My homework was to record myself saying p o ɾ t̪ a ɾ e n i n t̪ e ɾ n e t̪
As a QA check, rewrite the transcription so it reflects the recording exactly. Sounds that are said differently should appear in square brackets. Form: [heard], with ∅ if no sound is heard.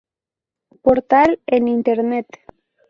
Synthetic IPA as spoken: p o ɾ t̪ a [l] e n i n t̪ e ɾ n e t̪